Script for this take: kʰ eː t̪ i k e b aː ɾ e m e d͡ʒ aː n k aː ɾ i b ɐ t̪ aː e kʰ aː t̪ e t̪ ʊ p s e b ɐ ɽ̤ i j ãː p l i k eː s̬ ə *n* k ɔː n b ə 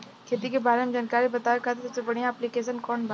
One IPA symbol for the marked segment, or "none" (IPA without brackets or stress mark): n